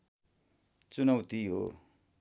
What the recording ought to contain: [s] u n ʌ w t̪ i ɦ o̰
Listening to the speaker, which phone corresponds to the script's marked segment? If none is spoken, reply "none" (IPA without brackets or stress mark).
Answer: t͡s